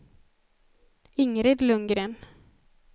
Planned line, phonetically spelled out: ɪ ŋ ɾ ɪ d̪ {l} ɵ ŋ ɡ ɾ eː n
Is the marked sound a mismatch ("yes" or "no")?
no